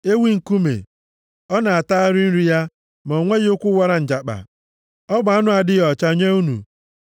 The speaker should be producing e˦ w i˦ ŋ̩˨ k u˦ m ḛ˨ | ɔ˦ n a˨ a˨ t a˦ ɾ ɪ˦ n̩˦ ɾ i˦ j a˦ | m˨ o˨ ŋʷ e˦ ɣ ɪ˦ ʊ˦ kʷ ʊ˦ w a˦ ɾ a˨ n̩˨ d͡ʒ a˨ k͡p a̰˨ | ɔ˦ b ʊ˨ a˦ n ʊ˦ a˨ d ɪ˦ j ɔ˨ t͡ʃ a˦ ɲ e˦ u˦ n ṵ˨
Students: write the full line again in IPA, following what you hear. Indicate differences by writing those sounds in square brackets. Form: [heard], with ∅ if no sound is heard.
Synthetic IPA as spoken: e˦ w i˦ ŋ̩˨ k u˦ m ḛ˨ | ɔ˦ n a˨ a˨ t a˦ ɾ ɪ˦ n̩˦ ɾ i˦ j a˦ | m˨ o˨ ŋʷ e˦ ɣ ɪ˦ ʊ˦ kʷ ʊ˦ w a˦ ɾ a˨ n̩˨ d͡ʒ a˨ k͡p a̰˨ | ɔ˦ b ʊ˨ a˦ n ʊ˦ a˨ d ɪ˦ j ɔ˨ t͡ʃ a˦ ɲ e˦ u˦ n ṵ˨